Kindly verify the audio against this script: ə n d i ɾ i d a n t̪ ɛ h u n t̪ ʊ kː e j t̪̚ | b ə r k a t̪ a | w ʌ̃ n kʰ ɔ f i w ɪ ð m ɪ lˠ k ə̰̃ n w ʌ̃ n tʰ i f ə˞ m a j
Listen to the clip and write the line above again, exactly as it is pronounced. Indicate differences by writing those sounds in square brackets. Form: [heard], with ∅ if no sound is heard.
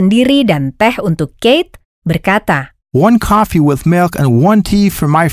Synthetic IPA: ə n d i ɾ i d a n t̪ ɛ h u n t̪ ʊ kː e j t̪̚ | b ə r k a t̪ a | w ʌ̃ n kʰ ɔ f i w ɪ ð m ɪ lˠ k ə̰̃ n w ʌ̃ n tʰ i f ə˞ m a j